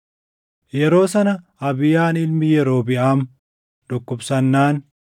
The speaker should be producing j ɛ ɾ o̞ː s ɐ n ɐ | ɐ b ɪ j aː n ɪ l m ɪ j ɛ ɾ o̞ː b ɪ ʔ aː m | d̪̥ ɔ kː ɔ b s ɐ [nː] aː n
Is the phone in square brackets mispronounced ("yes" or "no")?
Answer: no